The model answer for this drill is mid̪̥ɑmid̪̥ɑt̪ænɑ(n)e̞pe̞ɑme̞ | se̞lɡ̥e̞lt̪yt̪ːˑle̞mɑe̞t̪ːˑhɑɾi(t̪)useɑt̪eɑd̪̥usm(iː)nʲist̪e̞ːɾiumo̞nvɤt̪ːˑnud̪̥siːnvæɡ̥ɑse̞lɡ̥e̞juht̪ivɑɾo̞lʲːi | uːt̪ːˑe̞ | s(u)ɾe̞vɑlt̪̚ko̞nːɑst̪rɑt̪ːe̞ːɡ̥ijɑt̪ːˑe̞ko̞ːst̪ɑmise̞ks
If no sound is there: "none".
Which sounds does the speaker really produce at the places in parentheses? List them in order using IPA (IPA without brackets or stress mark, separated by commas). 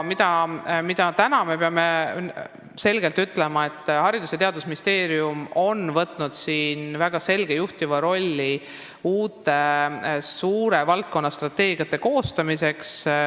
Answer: m, d̪, i, uː